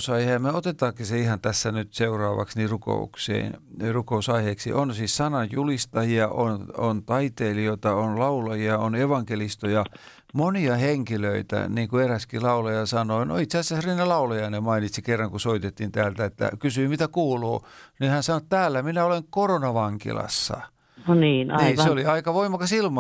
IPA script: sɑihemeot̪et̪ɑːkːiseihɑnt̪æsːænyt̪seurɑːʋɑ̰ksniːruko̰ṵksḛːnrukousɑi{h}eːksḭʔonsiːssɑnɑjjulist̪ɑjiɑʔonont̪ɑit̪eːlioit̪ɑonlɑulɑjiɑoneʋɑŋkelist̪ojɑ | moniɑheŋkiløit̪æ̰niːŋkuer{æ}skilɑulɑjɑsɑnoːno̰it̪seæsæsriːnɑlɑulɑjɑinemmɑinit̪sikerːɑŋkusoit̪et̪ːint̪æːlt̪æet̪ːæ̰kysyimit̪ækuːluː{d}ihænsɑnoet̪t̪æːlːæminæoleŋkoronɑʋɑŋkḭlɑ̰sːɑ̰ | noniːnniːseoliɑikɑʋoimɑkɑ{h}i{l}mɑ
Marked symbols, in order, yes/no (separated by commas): yes, yes, no, no, yes